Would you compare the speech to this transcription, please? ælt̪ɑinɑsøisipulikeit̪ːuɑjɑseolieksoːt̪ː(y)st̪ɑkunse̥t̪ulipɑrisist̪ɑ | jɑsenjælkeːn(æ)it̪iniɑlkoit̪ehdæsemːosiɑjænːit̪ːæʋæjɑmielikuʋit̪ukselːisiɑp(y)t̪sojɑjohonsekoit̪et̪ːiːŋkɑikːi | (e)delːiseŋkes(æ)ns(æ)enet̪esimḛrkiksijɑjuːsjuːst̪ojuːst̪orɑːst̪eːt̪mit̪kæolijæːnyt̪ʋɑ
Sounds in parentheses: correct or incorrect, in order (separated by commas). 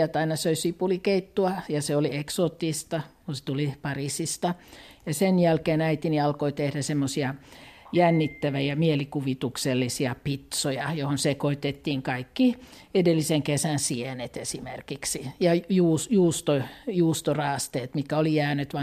incorrect, correct, incorrect, correct, correct, incorrect